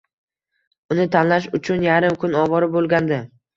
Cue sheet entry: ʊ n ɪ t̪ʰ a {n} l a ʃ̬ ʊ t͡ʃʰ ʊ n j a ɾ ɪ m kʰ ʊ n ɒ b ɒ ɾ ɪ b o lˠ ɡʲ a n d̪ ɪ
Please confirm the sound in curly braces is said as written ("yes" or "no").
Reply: yes